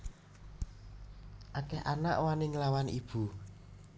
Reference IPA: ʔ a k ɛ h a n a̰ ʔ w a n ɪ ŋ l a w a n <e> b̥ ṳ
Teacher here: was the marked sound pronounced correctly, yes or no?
no